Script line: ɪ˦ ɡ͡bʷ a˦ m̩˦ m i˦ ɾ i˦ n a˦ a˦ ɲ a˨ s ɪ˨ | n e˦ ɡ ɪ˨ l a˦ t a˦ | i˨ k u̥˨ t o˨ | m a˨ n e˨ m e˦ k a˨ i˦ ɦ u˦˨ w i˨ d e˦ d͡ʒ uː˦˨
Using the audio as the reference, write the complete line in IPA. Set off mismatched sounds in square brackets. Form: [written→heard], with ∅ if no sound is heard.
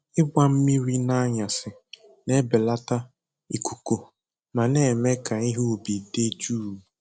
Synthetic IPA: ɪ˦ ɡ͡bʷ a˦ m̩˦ m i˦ ɾ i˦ n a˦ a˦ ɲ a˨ s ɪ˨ | n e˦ [ɡ→b] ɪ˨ l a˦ t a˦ | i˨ k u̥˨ [t→k] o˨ | m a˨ n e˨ m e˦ k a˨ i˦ ɦ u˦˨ [w→b] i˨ d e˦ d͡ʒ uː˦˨